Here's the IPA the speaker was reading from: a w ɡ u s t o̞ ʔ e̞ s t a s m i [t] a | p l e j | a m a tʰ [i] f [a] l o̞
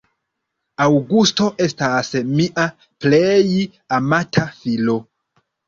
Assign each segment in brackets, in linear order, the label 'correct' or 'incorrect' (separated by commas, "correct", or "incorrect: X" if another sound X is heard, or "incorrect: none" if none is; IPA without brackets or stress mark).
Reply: incorrect: ʔ, incorrect: a, incorrect: i